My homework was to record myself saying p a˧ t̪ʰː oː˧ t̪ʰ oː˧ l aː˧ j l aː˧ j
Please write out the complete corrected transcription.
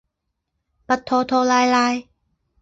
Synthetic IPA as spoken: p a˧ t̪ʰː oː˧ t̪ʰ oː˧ l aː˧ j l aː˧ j